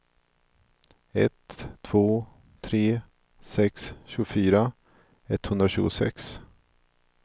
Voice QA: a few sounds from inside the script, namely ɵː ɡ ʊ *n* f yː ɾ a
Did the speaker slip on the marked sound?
yes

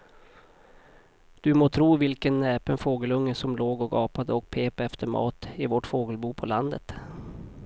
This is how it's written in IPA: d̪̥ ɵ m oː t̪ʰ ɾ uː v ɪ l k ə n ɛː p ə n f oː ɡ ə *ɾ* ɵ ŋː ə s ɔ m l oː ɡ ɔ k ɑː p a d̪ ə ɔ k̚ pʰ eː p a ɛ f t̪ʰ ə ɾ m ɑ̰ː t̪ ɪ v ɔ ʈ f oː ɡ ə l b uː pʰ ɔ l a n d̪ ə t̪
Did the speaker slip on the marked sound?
yes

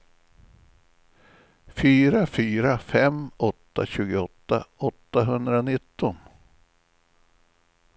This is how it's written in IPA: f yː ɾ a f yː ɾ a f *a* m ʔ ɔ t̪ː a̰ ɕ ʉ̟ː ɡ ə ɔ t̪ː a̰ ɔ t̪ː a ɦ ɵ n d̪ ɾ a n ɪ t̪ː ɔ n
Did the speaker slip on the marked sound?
yes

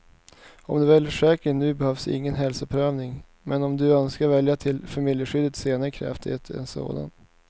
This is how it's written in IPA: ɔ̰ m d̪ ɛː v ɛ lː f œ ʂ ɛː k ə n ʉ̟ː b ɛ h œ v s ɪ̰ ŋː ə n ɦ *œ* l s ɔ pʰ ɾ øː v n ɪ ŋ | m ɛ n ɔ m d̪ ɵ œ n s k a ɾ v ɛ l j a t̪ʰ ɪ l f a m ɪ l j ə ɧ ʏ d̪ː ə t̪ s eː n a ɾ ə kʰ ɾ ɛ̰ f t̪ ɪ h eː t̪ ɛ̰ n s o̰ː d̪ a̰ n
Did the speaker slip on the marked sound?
yes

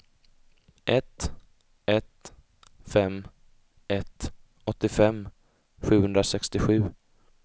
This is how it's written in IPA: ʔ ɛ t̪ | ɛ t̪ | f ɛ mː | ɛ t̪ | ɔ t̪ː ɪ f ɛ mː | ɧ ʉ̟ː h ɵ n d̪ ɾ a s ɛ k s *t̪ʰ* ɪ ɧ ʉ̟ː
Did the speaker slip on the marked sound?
yes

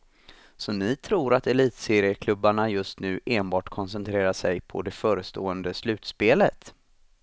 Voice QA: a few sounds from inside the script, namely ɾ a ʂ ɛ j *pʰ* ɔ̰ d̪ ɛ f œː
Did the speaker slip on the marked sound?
no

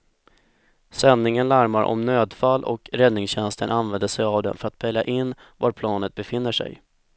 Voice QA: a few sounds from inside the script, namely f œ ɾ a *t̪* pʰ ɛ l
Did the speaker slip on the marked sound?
no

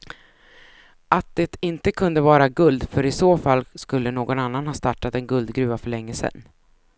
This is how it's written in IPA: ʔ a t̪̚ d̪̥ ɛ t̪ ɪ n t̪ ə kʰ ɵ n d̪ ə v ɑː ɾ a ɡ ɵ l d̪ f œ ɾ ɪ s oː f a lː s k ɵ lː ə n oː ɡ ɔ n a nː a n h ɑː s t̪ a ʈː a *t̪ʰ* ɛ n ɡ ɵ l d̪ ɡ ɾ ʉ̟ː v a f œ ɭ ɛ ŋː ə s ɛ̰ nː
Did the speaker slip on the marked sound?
yes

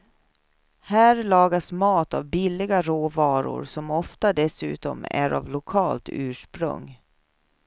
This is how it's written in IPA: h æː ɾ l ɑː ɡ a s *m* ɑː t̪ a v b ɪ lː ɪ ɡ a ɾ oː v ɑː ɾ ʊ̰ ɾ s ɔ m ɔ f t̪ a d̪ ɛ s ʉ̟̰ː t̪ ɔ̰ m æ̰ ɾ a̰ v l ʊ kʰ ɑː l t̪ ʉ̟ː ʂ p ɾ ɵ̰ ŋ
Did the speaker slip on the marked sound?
no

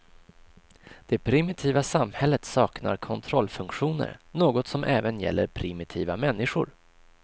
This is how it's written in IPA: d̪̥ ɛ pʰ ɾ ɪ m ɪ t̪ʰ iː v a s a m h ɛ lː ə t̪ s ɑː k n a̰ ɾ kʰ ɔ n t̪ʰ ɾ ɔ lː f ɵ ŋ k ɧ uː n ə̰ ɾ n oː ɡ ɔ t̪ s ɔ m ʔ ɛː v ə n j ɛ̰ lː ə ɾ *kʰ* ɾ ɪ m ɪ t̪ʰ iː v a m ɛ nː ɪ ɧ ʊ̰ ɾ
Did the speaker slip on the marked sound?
yes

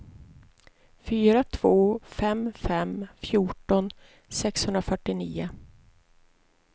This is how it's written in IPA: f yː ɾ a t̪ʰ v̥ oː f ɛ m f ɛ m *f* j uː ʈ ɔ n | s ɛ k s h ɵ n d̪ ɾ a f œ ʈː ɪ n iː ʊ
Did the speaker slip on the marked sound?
no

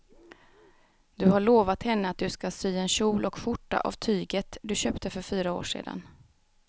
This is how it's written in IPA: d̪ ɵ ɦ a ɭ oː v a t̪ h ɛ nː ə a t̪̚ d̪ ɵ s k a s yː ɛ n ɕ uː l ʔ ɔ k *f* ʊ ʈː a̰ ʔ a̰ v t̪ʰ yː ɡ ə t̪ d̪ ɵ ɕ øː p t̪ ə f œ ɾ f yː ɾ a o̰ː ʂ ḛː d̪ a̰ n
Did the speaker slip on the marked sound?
no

